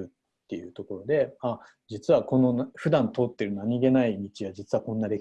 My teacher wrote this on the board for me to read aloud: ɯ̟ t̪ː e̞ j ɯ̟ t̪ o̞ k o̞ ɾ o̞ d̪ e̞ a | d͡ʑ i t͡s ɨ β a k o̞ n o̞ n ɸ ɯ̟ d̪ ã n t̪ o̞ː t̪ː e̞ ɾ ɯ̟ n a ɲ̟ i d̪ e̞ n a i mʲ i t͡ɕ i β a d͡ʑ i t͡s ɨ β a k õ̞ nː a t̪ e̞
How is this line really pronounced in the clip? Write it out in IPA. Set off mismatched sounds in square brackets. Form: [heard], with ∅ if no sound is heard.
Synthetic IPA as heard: ɯ̟ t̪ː e̞ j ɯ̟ t̪ o̞ k o̞ ɾ o̞ d̪ e̞ a | d͡ʑ i t͡s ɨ β a k o̞ n o̞ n ɸ ɯ̟ d̪ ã n t̪ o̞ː t̪ː e̞ ɾ ɯ̟ n a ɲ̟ i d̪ e̞ n a i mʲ i t͡ɕ i β a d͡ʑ i t͡s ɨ β a k õ̞ nː a [d̪] e̞

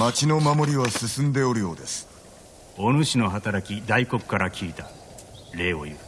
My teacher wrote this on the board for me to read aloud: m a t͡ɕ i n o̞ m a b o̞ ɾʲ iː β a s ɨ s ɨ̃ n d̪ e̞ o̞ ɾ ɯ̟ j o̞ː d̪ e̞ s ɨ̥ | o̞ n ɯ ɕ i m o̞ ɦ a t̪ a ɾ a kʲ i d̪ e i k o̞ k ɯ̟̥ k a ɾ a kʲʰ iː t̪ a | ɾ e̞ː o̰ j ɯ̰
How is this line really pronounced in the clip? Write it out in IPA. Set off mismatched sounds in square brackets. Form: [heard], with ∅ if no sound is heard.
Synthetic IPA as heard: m a t͡ɕ i n o̞ m a [m] o̞ ɾʲ [i] β a s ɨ s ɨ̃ n d̪ e̞ o̞ ɾ ɯ̟ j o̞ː d̪ e̞ s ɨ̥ | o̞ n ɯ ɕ i [n] o̞ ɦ a t̪ a ɾ a kʲ i d̪ [a] i k o̞ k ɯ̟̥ k a ɾ a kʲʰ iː t̪ a | ɾ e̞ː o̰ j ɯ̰

